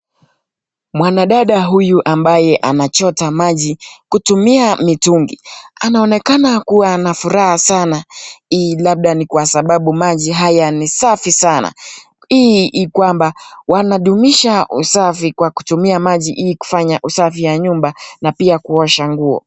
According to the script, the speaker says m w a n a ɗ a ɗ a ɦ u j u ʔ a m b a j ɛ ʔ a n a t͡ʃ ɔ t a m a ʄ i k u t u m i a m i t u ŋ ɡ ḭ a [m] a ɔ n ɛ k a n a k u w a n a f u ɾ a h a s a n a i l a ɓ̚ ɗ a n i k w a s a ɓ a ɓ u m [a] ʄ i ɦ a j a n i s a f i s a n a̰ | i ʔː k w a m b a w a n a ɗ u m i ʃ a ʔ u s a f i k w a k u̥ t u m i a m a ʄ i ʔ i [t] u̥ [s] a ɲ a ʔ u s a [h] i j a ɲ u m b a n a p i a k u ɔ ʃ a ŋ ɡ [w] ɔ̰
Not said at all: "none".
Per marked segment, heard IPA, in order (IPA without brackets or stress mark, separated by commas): n, a, k, f, f, u